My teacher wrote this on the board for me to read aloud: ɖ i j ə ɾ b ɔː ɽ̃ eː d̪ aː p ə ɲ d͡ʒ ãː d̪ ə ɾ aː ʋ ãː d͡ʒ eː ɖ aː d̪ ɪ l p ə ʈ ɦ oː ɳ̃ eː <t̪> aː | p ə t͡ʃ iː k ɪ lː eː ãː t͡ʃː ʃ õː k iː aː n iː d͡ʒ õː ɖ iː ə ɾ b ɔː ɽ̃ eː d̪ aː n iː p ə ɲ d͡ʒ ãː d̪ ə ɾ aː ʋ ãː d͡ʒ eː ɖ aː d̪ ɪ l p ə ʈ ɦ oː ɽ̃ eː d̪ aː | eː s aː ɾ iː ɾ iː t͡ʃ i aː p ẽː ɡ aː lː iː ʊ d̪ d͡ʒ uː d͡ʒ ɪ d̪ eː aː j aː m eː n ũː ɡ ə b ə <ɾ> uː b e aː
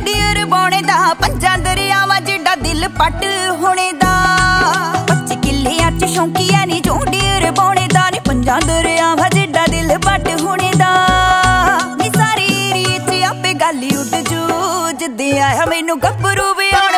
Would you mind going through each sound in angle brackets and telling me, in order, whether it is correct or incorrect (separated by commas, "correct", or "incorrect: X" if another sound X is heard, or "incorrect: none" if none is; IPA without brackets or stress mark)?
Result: incorrect: d̪, correct